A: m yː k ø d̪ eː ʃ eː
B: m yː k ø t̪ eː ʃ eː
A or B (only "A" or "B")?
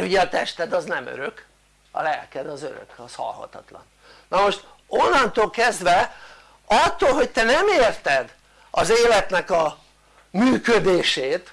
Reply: A